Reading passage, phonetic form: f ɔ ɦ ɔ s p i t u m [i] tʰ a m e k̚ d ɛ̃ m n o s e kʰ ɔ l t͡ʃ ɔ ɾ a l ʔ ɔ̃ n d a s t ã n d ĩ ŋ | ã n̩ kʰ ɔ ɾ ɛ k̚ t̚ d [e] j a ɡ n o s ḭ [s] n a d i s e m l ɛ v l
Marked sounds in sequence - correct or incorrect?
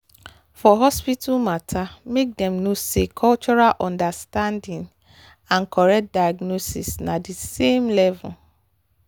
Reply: incorrect: a, incorrect: a, correct

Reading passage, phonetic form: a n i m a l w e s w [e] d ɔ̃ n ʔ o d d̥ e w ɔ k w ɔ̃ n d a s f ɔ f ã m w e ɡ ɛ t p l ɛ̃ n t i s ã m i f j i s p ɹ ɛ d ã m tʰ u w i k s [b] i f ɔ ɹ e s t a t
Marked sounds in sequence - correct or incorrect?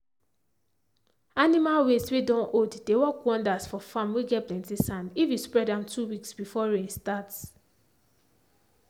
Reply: correct, correct

